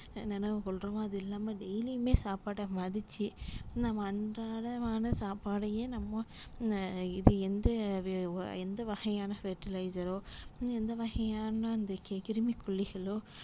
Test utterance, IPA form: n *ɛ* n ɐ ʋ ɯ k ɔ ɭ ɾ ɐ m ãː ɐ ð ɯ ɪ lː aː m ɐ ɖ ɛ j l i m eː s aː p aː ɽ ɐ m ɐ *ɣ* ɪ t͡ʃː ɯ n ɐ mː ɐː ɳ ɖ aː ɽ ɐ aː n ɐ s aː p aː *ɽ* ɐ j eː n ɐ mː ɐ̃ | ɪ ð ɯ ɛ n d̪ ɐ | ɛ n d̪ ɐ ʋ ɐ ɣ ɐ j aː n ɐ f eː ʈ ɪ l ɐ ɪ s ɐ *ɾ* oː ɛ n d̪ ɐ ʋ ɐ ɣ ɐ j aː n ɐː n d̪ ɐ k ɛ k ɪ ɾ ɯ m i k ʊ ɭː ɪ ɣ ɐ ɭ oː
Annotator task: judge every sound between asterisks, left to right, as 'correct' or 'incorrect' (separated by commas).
correct, incorrect, correct, correct